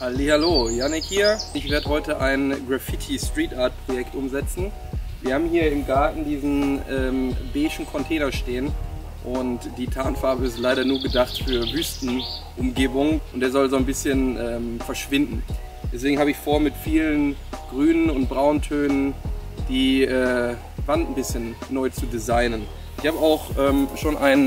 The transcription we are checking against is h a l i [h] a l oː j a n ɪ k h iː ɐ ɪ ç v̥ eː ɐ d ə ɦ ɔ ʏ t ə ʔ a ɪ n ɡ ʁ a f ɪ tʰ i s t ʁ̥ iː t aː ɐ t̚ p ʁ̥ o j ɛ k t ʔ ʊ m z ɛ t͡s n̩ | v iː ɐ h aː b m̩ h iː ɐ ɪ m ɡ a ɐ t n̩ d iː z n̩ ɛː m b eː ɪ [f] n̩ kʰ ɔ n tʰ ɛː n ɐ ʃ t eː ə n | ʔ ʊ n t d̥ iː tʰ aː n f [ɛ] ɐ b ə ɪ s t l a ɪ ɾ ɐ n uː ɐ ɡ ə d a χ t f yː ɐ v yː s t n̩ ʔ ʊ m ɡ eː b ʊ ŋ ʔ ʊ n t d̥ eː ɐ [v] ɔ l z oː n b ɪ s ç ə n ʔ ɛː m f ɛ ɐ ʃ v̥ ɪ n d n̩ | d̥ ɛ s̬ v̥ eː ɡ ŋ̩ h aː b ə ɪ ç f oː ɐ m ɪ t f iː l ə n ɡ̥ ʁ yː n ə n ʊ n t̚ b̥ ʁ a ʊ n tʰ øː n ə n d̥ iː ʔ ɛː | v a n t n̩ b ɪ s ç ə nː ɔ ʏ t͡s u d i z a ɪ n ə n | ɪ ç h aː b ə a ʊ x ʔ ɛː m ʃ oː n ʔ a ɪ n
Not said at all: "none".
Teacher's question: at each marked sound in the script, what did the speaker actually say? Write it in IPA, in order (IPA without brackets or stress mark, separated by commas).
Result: h, ʃ, a, z